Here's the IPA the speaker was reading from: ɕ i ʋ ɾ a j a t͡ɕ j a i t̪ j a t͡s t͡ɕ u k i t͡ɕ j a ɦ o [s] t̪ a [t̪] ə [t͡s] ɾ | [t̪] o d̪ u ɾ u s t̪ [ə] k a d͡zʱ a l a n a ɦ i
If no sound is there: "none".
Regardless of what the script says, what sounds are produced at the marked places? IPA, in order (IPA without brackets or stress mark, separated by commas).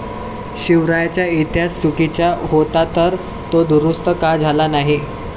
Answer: none, t̪, none, t̪, ə